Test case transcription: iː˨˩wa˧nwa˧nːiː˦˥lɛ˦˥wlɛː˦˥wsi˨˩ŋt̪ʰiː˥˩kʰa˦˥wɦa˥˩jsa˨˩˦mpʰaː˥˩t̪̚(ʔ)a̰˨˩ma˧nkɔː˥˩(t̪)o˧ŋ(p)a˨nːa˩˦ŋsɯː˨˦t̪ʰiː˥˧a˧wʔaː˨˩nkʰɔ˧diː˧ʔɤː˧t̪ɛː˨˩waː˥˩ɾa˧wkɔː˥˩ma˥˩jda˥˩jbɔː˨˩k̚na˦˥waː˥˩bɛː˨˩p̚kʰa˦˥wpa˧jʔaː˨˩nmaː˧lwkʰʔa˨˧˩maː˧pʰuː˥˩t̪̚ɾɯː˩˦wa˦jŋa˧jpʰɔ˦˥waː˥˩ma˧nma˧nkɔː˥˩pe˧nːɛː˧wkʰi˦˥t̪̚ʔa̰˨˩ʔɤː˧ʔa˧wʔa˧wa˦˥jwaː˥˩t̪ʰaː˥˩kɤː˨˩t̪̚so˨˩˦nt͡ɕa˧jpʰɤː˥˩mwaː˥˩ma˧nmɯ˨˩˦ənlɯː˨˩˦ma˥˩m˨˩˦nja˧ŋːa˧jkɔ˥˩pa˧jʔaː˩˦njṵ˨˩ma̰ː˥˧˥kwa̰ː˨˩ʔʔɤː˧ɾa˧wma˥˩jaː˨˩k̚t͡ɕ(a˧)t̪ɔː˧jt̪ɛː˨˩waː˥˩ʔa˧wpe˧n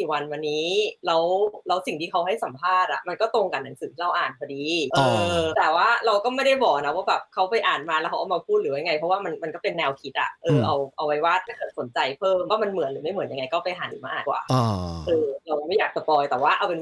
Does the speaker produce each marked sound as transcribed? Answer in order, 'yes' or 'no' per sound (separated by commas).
yes, yes, no, yes